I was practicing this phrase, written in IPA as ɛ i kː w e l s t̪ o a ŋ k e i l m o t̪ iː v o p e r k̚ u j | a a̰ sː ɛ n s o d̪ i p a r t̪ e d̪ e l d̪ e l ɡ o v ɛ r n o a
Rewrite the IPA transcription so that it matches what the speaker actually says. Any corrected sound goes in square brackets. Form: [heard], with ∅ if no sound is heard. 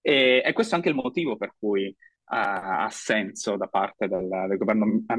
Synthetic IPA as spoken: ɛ [ɛ] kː w e [∅] s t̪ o a ŋ k e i l m o t̪ iː v o p e r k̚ u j | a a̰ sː ɛ n s o d̪ [a] p a r t̪ e d̪ e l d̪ e l ɡ o v ɛ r n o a